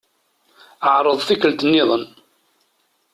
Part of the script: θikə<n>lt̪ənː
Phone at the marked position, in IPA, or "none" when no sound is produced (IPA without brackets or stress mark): none